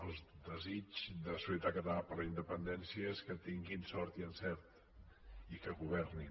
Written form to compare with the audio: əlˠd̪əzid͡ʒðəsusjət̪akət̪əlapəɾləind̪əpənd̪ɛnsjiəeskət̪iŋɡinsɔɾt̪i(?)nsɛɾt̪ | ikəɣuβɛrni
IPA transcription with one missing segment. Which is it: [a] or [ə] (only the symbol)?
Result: ə